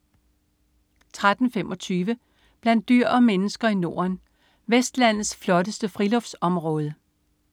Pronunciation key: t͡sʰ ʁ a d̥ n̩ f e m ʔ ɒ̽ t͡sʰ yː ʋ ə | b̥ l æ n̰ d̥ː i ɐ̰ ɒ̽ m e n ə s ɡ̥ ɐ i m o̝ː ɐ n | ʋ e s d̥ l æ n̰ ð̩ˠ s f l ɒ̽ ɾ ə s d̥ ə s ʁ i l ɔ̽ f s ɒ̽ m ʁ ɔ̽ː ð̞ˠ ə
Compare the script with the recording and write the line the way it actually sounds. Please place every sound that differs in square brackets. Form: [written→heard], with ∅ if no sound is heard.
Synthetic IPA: t͡sʰ ʁ a d̥ n̩ f e m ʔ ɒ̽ t͡sʰ yː ʋ ə | b̥ l æ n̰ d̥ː [i→y] ɐ̰ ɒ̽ m e n ə s ɡ̥ ɐ i [m→n] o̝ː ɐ n | ʋ e s d̥ l æ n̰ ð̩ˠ s f l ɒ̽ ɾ ə s d̥ ə [s→f] ʁ i l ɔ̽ f s ɒ̽ m ʁ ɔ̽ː ð̞ˠ ə

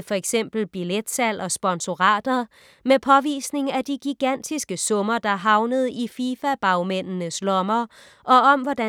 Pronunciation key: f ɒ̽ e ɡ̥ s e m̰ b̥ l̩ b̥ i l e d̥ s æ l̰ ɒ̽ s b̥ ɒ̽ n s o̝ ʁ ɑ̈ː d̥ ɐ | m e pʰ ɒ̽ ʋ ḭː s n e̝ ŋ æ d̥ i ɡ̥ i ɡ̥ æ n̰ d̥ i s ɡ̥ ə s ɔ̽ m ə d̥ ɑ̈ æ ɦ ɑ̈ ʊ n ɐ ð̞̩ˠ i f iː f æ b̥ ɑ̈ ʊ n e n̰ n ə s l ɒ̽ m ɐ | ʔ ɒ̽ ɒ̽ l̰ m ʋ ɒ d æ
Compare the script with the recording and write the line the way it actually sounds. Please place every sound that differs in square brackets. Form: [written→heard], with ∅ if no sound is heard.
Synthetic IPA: f ɒ̽ e ɡ̥ s e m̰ b̥ l̩ b̥ i l e d̥ s æ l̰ ɒ̽ s b̥ ɒ̽ n s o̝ ʁ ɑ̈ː d̥ ɐ | m e pʰ ɒ̽ ʋ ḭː s n e̝ ŋ æ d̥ i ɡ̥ i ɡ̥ æ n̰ d̥ i s ɡ̥ ə s ɔ̽ m [ə→ɐ] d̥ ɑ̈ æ ɦ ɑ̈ ʊ n [ɐ→ə] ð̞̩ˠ i f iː f æ b̥ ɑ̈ ʊ [n→m] e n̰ n ə s l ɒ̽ m ɐ | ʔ ɒ̽ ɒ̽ [l̰→∅] m ʋ ɒ d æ

